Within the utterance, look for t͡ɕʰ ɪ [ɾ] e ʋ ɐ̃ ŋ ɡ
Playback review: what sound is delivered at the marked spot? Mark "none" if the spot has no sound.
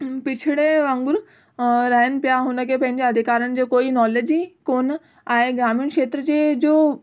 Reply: ɽ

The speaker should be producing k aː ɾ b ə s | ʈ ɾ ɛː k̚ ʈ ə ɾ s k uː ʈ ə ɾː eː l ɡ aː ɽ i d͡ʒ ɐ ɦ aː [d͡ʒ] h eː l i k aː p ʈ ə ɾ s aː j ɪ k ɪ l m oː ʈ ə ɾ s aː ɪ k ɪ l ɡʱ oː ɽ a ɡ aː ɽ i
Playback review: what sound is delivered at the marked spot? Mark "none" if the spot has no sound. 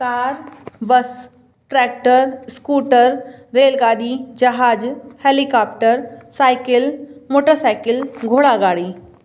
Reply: d͡ʒ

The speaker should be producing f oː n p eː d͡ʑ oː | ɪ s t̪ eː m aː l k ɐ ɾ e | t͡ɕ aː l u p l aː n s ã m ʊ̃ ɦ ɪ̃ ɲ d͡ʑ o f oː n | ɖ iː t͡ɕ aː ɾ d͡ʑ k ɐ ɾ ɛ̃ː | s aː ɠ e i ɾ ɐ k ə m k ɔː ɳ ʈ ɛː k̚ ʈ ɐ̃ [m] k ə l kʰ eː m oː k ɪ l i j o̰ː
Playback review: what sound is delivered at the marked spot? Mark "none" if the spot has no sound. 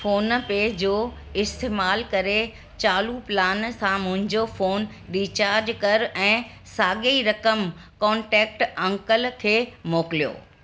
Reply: ŋ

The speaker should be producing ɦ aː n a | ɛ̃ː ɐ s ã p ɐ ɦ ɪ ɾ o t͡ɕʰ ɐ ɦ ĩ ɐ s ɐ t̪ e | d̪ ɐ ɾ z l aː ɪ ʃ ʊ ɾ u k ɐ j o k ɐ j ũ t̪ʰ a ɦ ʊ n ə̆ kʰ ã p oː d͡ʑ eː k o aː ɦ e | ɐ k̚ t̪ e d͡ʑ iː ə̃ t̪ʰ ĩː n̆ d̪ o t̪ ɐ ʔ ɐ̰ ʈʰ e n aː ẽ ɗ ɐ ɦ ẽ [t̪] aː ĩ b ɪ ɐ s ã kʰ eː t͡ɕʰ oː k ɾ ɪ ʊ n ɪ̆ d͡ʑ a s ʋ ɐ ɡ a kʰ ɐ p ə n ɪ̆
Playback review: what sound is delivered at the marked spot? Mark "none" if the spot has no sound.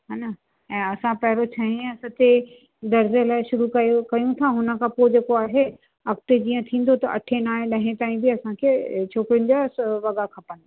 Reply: t̪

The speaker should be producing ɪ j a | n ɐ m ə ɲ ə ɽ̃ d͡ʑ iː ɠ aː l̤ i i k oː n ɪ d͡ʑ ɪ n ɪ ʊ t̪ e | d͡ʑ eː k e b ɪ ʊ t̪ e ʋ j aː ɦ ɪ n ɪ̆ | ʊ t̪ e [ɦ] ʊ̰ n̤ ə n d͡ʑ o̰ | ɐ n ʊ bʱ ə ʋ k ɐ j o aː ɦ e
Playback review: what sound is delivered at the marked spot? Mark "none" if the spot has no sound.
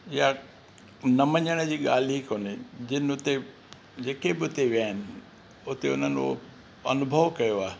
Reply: none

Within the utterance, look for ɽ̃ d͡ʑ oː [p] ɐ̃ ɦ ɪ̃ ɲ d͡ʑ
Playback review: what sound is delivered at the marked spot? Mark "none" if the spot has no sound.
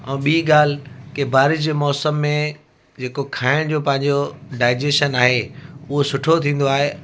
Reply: p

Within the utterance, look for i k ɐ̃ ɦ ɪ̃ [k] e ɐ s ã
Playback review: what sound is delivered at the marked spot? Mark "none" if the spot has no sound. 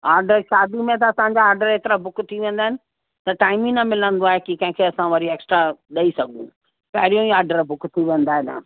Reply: kʰ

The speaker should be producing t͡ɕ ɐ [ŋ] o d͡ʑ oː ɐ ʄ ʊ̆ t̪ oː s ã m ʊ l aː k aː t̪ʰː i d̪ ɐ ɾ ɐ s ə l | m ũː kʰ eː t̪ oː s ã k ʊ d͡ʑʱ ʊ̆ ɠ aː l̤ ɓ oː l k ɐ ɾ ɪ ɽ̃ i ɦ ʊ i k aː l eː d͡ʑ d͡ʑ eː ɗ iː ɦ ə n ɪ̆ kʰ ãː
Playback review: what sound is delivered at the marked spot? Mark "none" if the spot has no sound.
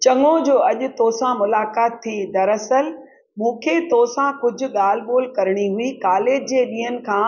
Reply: ŋ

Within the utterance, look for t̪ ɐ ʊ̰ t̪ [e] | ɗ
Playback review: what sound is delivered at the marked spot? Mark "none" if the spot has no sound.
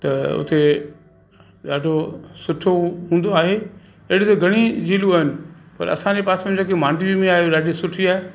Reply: e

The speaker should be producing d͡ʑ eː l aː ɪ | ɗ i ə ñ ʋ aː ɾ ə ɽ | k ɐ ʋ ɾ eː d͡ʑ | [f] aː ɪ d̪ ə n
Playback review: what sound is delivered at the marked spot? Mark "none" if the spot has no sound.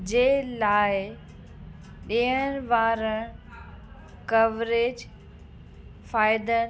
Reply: f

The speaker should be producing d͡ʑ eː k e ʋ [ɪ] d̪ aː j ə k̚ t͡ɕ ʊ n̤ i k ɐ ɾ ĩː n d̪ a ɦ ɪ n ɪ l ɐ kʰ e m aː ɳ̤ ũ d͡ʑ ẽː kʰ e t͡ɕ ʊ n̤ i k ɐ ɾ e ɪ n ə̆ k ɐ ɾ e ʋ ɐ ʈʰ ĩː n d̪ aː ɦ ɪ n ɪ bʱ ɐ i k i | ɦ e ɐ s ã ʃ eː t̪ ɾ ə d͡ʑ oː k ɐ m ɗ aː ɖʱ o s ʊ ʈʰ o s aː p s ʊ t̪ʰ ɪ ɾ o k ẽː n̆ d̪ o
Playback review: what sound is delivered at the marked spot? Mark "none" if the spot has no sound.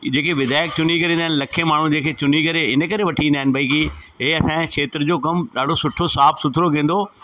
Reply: ɪ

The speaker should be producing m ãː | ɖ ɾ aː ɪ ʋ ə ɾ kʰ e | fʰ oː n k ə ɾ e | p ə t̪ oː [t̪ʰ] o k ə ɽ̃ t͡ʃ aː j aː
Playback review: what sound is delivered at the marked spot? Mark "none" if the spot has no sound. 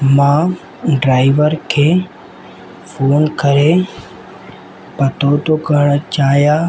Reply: t̪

